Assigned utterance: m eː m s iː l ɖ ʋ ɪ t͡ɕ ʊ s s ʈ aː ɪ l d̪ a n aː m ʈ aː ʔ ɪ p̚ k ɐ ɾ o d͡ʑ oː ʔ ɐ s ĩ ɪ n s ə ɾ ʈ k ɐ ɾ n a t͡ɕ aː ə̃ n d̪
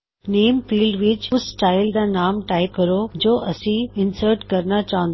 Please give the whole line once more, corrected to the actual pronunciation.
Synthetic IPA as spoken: n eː m f iː l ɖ ʋ ɪ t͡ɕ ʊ s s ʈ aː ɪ l d̪ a n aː m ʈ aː ɪ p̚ k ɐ ɾ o d͡ʑ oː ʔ ɐ s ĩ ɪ n s ə ɾ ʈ k ɐ ɾ n a t͡ɕ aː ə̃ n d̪